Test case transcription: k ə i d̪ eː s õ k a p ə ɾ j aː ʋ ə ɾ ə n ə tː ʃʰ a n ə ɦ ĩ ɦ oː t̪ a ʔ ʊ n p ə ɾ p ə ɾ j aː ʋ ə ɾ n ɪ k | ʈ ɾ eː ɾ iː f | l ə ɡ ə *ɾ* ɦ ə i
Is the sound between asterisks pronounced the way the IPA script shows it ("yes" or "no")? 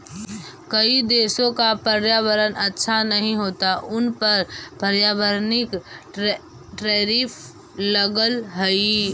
no